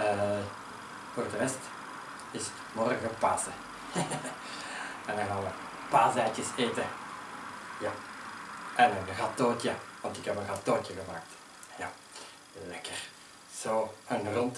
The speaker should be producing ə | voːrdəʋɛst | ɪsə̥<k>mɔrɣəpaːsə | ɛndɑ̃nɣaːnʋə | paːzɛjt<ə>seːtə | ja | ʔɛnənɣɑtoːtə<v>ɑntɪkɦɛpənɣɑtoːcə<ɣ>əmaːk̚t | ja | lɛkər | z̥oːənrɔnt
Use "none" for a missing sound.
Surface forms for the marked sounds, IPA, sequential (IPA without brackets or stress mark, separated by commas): t, ə, ʋ, ɣ